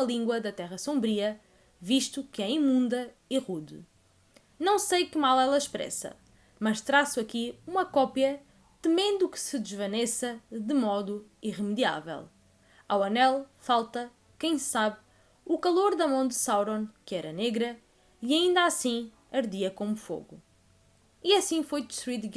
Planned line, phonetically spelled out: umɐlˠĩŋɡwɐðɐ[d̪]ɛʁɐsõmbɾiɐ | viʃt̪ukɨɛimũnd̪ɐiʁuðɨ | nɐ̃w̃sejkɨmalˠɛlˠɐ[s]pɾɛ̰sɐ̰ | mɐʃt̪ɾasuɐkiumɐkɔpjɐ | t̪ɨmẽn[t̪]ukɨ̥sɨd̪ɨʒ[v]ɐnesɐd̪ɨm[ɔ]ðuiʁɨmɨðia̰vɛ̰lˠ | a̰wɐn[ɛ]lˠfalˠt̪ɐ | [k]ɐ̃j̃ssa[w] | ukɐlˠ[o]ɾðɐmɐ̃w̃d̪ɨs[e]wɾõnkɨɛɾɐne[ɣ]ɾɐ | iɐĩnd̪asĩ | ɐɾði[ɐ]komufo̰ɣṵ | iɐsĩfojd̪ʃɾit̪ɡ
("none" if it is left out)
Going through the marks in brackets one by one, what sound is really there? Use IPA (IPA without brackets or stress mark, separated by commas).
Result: t̪, ʃ, d̪, v, ɔ, ɛ, k, β, o, a, ɣ, ɐ